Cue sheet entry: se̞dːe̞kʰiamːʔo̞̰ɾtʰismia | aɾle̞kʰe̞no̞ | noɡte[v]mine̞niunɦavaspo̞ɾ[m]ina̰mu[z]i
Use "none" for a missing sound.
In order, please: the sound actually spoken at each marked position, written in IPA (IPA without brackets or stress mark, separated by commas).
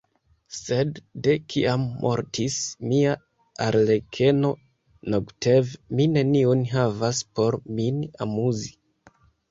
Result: v, m, z